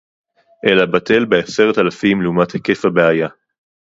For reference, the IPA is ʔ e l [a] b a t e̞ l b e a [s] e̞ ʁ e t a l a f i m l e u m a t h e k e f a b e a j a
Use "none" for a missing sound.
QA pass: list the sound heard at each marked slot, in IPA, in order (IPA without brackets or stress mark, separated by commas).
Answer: a, s